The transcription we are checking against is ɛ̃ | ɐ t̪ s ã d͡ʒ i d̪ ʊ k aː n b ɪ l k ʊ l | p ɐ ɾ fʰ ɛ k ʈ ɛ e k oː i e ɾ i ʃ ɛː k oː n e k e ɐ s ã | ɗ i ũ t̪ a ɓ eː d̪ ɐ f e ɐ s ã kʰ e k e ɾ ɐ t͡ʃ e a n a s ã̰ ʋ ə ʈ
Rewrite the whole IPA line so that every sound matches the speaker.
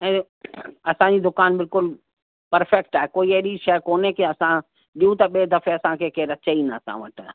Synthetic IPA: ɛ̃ | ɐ s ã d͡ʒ i d̪ ʊ k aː n b ɪ l k ʊ l | p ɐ ɾ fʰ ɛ k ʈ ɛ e k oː i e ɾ i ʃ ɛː k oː n e k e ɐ s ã | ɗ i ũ t̪ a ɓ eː d̪ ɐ f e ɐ s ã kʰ e k e ɾ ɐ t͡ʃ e i n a s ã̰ ʋ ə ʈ